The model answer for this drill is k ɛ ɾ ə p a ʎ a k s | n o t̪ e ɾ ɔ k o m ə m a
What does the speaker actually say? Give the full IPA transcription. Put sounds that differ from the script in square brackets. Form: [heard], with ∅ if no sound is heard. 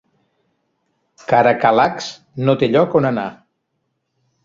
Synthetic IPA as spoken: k [a] ɾ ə [k] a [l] a k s | n o t̪ e [ʎ] ɔ k o [n] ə [n] a